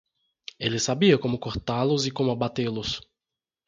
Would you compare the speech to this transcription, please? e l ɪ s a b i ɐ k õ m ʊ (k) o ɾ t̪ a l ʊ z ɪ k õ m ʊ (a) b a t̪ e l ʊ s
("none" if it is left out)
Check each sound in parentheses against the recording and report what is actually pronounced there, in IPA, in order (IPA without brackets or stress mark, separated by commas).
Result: k, a